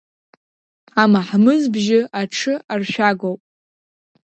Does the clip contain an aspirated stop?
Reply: yes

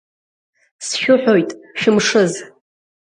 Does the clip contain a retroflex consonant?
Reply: yes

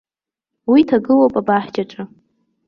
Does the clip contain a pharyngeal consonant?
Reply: yes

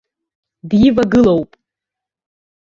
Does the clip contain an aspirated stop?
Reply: no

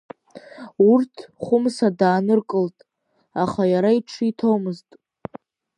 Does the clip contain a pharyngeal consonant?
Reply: no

